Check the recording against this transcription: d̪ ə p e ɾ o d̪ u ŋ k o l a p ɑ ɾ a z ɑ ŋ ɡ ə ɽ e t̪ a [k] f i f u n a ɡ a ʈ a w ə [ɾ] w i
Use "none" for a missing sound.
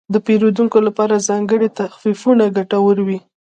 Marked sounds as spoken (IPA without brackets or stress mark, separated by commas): x, ɾ